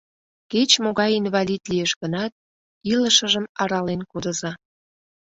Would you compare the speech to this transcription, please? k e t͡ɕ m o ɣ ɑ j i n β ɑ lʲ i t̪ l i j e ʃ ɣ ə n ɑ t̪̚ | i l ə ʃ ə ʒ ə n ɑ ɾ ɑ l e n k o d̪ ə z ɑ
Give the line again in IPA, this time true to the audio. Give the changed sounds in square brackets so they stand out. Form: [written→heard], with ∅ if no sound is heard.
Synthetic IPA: k e t͡ɕ m o ɣ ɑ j i n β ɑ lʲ i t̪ l i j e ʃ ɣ ə n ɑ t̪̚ | i l ə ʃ ə ʒ ə [n→m] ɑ ɾ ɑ l e n k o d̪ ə z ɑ